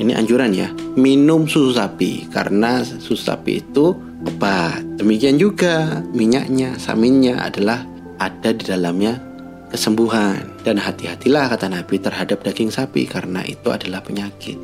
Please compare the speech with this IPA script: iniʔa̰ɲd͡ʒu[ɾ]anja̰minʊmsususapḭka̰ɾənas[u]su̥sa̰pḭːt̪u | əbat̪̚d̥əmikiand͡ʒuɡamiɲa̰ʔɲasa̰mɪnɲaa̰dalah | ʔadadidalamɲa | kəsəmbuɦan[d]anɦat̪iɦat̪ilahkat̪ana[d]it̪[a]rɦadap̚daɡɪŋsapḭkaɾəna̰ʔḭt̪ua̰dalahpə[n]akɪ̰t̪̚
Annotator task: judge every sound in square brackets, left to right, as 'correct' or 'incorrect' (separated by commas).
correct, correct, correct, incorrect, incorrect, incorrect